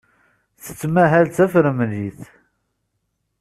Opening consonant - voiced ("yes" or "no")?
no